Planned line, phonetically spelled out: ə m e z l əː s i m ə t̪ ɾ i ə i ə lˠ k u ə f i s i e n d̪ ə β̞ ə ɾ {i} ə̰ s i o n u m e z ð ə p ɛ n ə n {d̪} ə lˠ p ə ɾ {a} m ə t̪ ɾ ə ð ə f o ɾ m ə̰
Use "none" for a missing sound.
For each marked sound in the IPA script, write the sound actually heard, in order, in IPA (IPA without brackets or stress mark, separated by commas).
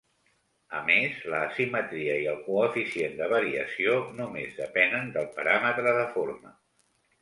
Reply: i, d̪, a